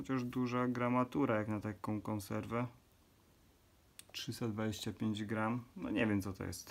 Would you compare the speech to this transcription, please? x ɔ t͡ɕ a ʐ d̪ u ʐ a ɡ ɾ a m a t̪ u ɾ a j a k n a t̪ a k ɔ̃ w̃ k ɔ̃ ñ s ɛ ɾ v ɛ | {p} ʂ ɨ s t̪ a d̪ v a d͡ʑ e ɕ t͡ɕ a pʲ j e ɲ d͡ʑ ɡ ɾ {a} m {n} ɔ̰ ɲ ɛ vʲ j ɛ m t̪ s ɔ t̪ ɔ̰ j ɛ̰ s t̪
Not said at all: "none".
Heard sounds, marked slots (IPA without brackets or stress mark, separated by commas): t, a, n